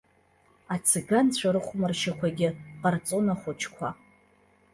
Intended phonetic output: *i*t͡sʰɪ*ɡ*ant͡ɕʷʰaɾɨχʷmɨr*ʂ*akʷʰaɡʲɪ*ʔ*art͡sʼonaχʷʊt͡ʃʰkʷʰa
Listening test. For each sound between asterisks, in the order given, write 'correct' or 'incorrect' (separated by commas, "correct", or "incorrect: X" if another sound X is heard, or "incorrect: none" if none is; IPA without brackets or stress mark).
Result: incorrect: a, correct, incorrect: ʃ, incorrect: q